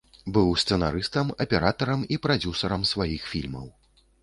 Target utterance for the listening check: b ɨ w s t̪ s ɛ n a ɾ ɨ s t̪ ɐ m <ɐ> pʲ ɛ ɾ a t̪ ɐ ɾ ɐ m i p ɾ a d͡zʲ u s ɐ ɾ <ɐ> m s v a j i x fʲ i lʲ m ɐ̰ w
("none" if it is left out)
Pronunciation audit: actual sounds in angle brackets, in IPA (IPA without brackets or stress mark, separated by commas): ɐ, ɐ